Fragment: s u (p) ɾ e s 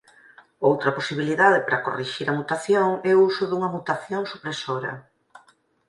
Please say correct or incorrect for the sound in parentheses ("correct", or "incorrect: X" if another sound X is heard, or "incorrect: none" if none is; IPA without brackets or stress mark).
correct